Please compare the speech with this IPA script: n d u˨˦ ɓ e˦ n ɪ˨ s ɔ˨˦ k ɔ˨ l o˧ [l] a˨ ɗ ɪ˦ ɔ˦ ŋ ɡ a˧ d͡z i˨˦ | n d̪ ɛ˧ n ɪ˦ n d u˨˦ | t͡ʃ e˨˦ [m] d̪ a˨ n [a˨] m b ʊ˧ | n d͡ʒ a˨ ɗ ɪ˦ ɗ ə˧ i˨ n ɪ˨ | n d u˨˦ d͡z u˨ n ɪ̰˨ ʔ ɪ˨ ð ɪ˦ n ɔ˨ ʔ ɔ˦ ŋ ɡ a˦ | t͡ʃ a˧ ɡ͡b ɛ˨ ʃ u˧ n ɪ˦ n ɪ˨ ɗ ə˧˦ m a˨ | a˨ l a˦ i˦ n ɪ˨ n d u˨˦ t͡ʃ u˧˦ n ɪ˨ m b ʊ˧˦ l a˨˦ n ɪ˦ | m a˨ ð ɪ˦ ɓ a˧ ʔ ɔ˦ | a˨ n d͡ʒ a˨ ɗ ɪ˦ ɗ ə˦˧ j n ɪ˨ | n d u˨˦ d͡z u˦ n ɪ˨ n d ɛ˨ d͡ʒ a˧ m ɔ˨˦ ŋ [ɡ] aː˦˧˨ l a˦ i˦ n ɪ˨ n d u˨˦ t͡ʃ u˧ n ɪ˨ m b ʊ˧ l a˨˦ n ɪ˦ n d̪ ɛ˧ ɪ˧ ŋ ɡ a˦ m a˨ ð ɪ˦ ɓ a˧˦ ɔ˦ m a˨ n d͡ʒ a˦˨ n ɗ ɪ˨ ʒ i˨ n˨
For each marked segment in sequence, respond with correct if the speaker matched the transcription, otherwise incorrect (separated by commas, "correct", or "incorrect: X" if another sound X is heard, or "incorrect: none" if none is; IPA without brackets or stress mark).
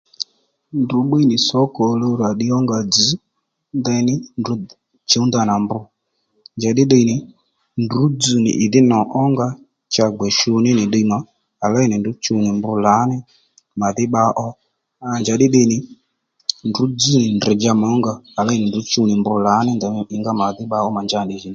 incorrect: ɾ, incorrect: n, correct, correct